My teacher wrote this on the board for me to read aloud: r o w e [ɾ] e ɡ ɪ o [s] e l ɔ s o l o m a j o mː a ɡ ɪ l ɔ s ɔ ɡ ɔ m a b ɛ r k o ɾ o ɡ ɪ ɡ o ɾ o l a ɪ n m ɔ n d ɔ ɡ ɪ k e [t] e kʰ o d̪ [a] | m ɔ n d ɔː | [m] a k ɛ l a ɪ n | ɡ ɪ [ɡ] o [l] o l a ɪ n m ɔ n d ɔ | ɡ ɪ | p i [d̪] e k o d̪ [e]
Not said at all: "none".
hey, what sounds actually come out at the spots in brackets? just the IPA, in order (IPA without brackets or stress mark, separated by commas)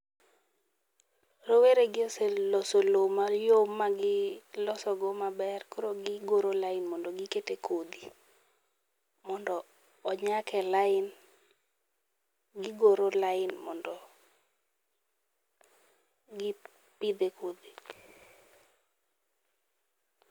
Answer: ɾ, s, t, i, ɲ, ɡ, ɾ, d̪, i